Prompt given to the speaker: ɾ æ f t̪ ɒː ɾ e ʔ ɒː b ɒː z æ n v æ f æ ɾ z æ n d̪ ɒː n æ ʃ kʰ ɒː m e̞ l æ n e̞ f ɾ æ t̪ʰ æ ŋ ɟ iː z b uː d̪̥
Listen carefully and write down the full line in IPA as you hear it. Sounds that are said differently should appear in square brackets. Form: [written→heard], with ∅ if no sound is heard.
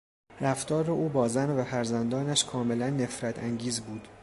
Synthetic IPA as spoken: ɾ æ f t̪ ɒː ɾ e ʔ [ɒː→uː] b ɒː z æ n v æ f æ ɾ z æ n d̪ ɒː n æ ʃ kʰ ɒː m e̞ l æ [n→nː] e̞ f ɾ æ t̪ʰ æ ŋ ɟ iː z b uː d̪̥